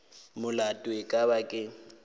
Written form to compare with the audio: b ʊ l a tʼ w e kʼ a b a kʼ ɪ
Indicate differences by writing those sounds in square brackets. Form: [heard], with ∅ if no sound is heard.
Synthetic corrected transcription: [m] ʊ l a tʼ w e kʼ a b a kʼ ɪ